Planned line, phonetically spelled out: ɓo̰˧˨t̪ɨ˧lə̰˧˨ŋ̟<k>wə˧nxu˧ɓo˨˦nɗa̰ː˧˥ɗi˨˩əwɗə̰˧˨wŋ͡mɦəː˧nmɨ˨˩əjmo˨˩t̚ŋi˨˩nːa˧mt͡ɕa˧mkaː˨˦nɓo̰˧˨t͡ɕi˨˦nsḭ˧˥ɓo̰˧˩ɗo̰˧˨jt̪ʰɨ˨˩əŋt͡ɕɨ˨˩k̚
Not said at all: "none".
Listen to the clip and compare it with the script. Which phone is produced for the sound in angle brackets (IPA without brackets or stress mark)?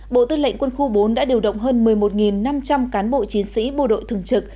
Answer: k